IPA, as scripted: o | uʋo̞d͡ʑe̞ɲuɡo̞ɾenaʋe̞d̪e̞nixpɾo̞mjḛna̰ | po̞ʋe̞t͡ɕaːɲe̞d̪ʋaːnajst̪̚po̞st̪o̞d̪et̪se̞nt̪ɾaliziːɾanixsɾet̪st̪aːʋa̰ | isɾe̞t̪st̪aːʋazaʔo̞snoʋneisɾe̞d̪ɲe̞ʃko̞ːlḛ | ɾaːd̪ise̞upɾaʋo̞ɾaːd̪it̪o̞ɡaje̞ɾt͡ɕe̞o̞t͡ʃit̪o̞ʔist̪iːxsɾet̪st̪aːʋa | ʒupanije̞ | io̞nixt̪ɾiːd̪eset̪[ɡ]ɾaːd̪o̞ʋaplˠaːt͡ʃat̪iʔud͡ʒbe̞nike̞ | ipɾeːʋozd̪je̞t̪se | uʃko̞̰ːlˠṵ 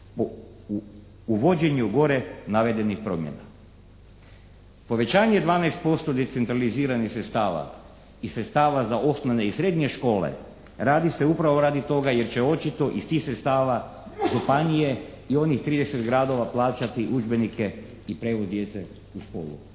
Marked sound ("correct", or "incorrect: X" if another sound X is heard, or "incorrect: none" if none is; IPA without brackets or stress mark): correct